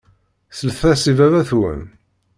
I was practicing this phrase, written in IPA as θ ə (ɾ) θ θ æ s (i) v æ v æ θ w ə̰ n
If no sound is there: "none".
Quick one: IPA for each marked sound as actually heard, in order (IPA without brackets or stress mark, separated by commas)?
l, i